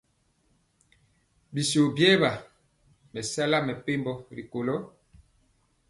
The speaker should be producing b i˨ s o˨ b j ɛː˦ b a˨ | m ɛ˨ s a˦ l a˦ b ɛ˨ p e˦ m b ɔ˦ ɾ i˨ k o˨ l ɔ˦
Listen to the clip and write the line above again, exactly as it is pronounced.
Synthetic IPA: b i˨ s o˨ b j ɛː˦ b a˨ | m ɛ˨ s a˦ l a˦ m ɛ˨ p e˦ m b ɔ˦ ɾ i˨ k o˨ l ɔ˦